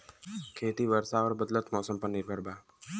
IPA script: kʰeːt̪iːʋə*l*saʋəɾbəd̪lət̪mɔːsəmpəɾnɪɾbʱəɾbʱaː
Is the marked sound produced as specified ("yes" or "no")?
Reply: no